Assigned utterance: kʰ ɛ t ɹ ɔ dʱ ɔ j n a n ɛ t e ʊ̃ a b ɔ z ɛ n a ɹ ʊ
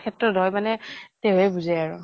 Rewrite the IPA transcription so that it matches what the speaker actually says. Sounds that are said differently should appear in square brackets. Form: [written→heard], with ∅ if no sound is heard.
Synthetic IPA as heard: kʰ ɛ t ɹ ɔ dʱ ɔ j [n→m] a n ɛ t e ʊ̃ [a→ɛ] b [ɔ→u] z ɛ [n→∅] a ɹ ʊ

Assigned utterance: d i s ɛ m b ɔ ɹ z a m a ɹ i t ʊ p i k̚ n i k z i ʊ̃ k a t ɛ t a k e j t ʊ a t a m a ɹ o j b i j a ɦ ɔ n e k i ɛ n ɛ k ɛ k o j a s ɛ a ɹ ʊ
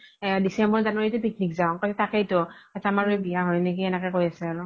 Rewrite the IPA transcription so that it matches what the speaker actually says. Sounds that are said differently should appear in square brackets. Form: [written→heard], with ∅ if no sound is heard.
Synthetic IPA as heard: d i s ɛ m b ɔ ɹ z a [m→n] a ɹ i t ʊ p i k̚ n i k z [i→a] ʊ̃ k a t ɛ t a k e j t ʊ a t a m a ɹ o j b i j a ɦ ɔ n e k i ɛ n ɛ k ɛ k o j a s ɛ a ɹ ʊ

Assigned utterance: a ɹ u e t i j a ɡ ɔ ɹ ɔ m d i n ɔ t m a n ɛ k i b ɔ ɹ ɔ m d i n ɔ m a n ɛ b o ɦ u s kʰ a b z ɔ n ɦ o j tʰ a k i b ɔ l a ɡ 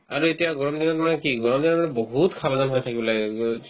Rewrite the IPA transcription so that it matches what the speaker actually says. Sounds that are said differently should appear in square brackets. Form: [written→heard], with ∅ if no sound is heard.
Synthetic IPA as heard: a ɹ u e t i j a ɡ ɔ ɹ ɔ m d i n ɔ t m a n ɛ k i [b→ɡ] ɔ ɹ ɔ m d i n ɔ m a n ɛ b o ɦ u [s→t] kʰ a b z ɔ n ɦ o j tʰ a k i b ɔ l a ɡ

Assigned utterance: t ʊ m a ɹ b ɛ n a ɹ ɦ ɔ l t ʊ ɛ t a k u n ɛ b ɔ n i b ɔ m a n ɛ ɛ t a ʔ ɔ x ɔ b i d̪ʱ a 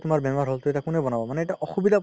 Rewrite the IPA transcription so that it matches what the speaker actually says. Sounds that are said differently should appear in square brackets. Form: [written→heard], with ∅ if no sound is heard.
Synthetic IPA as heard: t ʊ m a ɹ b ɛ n a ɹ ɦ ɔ l t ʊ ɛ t a k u n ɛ b ɔ n [i→a] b ɔ m a n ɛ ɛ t a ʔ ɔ x [ɔ→u] b i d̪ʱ a

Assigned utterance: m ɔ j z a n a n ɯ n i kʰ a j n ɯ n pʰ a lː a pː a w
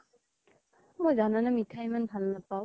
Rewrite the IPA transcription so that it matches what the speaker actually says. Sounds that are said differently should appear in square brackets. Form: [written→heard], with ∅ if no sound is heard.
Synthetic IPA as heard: m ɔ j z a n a n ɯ [n→m] i [kʰ→tʰ] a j [n→m] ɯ n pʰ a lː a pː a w

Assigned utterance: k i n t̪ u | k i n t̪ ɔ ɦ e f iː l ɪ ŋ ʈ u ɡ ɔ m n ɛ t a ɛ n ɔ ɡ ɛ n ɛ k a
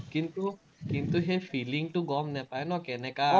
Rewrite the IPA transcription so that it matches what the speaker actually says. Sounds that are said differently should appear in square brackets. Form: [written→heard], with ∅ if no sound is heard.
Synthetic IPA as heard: k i n t̪ u | k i n t̪ [ɔ→u] ɦ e f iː l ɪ ŋ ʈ u ɡ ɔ m n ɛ [t→p] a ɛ n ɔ [ɡ→k] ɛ n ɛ k a

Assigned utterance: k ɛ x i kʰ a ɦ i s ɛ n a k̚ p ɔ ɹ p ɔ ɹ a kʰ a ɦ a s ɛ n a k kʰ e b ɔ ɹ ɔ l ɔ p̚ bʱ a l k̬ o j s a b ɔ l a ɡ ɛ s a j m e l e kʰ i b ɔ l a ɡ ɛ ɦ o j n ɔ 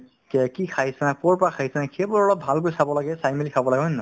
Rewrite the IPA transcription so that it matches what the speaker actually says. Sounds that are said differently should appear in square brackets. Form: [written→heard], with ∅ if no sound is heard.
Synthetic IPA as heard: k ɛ [x→k] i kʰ a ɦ i s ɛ n a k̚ p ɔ ɹ p ɔ ɹ a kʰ a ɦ [a→i] s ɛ n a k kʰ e b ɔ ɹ ɔ l ɔ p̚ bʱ a l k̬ o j s a b ɔ l a ɡ ɛ s a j m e l [e→i] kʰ [i→a] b ɔ l a ɡ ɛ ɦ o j n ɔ

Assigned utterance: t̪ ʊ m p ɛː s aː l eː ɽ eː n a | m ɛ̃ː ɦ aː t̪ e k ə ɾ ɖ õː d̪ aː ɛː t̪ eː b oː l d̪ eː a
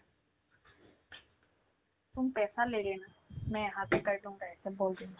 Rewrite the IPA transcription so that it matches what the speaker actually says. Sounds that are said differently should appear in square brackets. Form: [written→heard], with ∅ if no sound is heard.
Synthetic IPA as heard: t̪ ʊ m p ɛː s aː l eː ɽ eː n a | m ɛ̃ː ɦ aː t̪ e k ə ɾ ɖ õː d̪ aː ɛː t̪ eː b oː l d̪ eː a

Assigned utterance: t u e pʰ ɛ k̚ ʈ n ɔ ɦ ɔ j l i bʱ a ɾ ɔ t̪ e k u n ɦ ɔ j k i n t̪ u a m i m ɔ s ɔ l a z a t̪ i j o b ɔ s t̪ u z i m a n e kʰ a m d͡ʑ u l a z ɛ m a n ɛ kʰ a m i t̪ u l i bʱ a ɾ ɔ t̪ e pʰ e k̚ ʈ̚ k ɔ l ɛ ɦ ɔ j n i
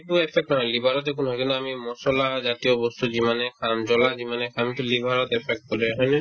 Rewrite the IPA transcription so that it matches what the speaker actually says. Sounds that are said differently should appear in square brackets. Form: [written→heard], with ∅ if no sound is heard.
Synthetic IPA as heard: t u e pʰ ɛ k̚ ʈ n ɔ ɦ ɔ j l i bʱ a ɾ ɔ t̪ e k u n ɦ ɔ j k i n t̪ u a m i m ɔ s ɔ l a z a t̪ i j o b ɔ s t̪ u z i m a n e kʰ a m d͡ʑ [u→ɔ] l a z [ɛ→i] m a n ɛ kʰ a m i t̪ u l i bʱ a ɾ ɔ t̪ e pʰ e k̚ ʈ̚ k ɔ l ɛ ɦ ɔ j n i

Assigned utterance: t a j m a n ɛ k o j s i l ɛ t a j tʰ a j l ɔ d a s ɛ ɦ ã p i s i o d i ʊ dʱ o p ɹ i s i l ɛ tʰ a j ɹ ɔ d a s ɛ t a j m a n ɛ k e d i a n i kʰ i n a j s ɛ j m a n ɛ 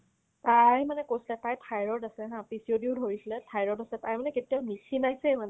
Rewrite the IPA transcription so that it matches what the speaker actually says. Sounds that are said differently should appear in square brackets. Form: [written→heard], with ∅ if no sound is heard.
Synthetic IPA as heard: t a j m a n ɛ k o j s i l ɛ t a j tʰ a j [l→ɹ] ɔ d a s ɛ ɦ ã p i s i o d i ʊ dʱ o [p→∅] ɹ i s i l ɛ tʰ a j ɹ ɔ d a s ɛ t a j m a n ɛ k e [d→t] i a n i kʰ i n a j s ɛ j m a n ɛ

